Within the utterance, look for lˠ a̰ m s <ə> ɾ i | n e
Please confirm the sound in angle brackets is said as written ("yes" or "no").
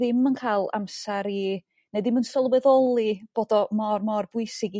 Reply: no